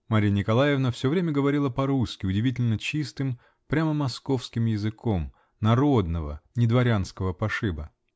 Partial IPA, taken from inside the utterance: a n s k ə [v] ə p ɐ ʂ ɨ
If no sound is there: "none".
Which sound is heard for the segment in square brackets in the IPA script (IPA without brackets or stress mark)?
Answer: v